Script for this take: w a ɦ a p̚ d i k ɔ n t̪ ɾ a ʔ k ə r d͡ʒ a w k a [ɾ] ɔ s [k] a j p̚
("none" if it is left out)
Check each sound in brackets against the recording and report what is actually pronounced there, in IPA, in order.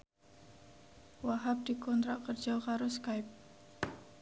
ɾ, k

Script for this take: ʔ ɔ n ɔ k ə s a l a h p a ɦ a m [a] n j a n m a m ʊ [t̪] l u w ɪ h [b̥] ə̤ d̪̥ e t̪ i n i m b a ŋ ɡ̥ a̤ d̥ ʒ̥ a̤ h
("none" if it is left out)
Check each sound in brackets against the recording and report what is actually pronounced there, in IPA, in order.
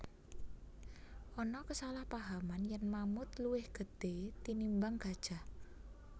a, t̪, ɡ̥

